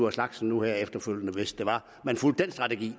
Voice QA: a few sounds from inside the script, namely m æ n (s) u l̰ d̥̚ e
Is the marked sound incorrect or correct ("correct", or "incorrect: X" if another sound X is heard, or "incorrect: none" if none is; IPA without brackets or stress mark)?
incorrect: f